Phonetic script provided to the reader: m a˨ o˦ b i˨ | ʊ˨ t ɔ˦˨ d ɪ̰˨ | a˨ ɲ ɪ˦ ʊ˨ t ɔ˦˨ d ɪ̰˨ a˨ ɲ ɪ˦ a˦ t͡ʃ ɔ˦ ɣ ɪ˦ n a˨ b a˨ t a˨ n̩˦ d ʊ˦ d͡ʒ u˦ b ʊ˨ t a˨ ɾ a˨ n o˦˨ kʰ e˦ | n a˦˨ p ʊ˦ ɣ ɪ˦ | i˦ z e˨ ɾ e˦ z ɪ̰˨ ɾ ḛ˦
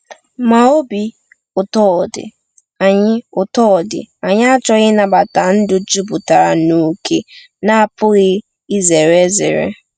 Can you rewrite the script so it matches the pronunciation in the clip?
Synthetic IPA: m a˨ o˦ b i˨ | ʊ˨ t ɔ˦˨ d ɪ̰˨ | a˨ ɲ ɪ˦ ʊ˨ t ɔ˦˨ d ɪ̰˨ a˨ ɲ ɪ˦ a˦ t͡ʃ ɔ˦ ɣ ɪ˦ n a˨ b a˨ t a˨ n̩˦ d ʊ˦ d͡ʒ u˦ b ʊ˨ t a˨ ɾ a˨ n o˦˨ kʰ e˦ | n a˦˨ p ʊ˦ ɣ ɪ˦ | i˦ z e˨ ɾ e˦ z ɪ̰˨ ɾ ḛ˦